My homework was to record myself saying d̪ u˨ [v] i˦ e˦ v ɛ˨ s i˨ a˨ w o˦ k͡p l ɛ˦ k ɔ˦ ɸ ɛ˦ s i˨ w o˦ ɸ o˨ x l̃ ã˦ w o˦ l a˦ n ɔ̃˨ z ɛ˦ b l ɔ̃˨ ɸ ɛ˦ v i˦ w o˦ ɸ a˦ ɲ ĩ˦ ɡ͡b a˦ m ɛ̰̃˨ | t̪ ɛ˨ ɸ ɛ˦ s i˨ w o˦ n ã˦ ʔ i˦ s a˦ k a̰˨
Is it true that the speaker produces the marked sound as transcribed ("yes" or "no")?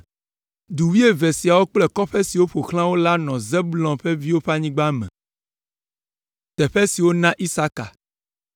no